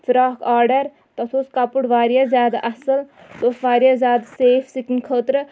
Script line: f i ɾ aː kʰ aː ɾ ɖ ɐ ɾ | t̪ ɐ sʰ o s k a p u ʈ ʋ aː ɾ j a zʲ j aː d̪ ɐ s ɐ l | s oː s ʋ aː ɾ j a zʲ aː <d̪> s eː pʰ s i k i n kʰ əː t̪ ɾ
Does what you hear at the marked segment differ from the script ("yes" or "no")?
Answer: no